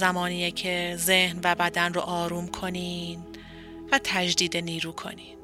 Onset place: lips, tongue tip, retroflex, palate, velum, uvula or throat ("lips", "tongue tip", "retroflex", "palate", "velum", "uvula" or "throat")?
tongue tip